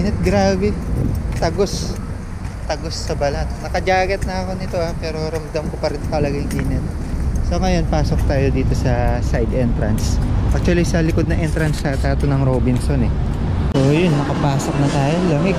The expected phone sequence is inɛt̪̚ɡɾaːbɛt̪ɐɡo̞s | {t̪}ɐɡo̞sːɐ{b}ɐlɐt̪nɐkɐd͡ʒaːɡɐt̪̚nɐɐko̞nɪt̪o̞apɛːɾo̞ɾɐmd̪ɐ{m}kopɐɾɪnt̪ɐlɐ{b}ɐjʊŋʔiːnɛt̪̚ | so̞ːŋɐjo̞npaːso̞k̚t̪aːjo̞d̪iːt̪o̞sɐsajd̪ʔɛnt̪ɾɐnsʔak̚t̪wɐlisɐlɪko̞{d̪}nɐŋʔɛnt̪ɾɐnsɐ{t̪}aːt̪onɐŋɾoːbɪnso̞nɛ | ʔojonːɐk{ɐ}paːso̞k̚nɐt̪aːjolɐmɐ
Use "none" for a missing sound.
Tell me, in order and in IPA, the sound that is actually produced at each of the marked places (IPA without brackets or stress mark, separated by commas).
t̪, b, m, ɡ, d̪, t̪, ɐ